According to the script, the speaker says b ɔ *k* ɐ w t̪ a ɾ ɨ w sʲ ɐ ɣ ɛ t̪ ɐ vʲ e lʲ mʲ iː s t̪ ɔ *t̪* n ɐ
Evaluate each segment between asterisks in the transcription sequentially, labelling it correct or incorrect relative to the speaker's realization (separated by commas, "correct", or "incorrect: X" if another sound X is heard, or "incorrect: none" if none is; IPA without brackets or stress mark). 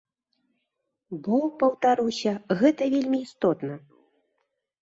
incorrect: p, correct